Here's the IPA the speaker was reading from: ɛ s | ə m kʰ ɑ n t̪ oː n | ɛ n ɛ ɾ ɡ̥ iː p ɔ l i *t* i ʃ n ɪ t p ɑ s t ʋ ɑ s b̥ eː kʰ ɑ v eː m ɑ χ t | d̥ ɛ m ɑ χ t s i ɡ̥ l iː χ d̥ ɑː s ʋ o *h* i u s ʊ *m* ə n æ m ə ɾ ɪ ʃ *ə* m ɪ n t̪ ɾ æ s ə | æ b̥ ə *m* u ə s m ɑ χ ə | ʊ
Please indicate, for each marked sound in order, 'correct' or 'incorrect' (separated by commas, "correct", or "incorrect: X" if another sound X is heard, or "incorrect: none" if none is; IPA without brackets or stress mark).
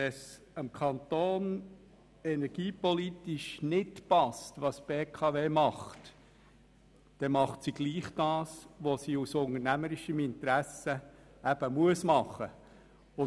correct, incorrect: s, incorrect: ŋ, correct, correct